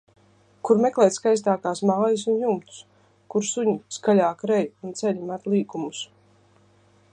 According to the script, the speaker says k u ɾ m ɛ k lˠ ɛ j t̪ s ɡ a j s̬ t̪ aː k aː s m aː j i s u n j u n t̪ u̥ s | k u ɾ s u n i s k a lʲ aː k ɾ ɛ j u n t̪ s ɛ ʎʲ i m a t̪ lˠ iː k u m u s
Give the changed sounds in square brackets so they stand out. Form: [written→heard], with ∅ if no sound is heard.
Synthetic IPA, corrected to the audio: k u ɾ m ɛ k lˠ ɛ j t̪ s [ɡ→k] a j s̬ t̪ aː k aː s m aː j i s u n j u [n→m] t̪ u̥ s | k u ɾ s u [n→ɲ] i s k a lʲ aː k ɾ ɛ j u n t̪ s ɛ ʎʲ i m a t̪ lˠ iː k u m u s